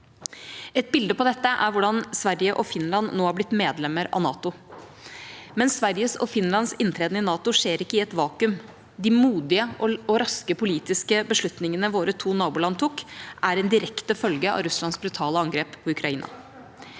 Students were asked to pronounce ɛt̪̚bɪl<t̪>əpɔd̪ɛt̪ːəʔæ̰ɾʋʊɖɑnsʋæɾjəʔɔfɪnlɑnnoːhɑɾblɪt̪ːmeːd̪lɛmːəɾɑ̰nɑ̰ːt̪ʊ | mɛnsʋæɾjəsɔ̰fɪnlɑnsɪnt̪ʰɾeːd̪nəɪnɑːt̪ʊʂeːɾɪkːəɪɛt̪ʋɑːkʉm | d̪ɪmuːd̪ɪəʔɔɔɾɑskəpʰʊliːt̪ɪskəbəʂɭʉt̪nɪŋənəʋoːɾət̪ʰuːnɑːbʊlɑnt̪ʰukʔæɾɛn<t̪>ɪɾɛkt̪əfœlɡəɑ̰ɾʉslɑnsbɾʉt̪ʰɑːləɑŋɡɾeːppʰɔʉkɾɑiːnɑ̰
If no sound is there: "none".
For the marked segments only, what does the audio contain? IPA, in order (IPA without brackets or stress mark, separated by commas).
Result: d̪, d̪